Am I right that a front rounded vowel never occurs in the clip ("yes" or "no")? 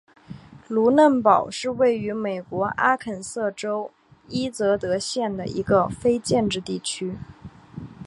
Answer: no